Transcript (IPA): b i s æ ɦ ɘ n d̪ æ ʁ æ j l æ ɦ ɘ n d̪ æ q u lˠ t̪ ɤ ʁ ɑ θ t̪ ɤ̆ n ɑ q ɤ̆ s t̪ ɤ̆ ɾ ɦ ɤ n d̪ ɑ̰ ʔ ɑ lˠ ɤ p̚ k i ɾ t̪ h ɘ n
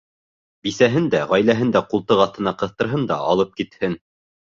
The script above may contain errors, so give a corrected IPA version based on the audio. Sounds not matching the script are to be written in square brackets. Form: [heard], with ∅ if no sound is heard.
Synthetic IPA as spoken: b i s æ ɦ ɘ n d̪ æ ʁ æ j l æ ɦ ɘ n d̪ æ q u lˠ t̪ ɤ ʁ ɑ θ t̪ ɤ̆ n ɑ q ɤ̆ [θ] t̪ ɤ̆ ɾ ɦ ɤ n d̪ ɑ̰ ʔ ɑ lˠ ɤ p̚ k i [∅] t̪ h ɘ n